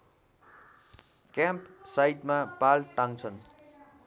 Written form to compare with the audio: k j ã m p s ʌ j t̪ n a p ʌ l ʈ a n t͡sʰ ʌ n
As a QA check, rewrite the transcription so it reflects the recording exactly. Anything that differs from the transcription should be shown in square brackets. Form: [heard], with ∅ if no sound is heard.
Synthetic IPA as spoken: k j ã m p s [a] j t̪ [m] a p [a] l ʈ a [ŋ] t͡sʰ ʌ n